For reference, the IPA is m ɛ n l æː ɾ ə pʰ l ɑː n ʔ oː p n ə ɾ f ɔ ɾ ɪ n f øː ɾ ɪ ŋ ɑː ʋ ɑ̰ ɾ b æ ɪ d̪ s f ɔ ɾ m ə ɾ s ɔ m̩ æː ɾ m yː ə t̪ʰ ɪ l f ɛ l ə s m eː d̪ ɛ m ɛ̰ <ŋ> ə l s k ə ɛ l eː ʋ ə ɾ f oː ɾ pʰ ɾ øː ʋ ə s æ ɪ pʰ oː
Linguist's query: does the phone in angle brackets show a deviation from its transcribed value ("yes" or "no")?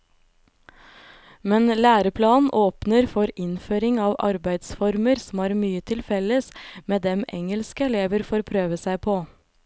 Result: no